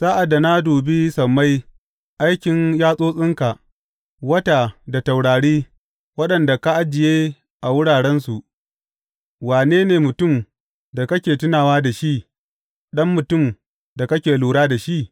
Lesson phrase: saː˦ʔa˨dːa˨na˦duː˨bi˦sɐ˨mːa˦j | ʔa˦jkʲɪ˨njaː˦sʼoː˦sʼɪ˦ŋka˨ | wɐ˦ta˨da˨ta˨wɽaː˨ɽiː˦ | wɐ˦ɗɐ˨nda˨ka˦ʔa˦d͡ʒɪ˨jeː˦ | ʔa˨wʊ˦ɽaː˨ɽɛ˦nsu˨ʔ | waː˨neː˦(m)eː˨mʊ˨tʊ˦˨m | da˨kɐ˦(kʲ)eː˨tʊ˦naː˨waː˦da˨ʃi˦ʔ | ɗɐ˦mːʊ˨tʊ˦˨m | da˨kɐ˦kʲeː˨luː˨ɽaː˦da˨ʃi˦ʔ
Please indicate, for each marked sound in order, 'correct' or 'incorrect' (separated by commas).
incorrect, correct